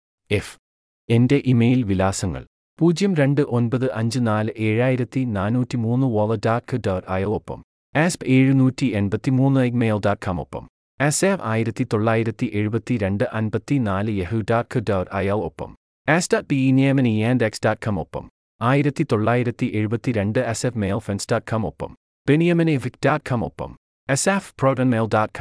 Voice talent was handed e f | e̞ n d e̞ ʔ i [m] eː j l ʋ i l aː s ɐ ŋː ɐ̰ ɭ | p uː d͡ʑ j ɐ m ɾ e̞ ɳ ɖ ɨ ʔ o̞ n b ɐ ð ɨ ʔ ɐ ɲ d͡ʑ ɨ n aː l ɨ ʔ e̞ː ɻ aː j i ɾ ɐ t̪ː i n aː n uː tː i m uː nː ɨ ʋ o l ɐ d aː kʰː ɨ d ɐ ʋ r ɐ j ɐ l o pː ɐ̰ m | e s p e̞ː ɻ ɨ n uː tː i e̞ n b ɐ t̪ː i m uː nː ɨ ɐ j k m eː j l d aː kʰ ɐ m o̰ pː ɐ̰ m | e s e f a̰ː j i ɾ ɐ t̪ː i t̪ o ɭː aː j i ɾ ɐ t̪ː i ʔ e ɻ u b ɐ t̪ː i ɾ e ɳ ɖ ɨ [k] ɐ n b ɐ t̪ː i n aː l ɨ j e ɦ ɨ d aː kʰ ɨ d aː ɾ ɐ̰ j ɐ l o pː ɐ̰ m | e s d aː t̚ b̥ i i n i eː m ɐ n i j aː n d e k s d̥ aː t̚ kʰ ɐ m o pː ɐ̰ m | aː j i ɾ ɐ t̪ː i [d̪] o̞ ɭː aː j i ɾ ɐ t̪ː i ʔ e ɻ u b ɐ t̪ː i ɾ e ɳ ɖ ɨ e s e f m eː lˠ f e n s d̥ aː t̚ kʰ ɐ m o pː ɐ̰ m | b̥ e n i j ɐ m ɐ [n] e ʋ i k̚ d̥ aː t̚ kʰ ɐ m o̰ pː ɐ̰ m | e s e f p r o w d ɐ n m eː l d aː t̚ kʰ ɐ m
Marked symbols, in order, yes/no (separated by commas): yes, no, no, yes